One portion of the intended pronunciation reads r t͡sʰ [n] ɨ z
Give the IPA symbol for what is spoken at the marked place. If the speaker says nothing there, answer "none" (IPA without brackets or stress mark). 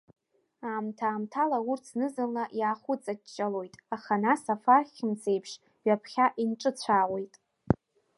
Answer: n